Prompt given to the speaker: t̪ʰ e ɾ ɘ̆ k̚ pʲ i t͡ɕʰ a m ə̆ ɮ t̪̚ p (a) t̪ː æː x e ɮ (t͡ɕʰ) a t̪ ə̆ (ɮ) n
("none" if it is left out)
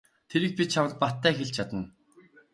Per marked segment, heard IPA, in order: a, t͡ɕʰ, none

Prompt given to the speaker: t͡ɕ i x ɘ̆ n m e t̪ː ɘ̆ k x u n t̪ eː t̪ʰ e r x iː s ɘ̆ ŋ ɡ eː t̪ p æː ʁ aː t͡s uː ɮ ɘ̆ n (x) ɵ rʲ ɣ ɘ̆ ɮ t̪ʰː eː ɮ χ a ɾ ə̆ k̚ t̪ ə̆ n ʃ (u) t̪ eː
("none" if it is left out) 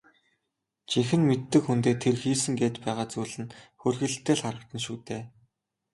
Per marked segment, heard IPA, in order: x, uː

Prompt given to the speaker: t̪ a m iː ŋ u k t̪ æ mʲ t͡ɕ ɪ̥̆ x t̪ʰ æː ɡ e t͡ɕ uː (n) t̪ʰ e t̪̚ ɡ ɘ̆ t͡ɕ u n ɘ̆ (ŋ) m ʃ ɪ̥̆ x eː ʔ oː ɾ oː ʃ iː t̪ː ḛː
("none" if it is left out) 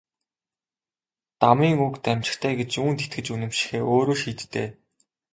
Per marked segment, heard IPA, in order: n, none

